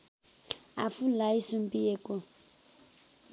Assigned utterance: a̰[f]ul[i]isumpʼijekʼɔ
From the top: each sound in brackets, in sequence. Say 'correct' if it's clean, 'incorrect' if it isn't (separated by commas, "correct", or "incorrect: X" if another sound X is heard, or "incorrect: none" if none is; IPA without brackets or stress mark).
correct, incorrect: a